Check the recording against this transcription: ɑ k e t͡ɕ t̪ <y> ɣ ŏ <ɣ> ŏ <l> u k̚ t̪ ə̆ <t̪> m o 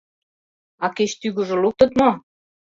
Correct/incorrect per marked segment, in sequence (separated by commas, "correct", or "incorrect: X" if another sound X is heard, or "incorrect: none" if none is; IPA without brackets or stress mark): correct, incorrect: ʒ, correct, correct